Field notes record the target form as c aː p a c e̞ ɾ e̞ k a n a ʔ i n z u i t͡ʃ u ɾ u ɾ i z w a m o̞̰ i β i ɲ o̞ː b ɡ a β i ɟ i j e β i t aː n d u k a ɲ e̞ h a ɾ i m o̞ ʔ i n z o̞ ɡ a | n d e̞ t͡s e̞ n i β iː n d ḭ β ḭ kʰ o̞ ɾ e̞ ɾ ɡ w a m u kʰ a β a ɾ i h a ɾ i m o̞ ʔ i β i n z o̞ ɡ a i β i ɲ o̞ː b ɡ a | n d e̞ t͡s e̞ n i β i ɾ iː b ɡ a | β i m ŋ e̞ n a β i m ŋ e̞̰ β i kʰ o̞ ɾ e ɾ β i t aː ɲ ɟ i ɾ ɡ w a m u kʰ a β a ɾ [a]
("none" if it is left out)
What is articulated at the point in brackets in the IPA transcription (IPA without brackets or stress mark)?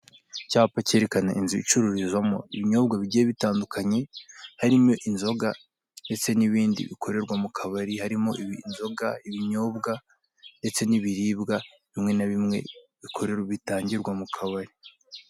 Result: i